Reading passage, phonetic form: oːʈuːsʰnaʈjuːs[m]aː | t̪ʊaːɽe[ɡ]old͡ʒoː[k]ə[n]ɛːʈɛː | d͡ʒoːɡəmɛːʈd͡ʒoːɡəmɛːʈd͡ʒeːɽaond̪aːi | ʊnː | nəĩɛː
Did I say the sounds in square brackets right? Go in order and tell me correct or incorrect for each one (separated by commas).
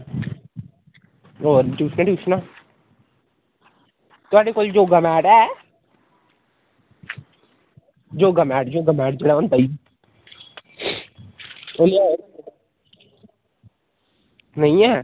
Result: incorrect, incorrect, incorrect, incorrect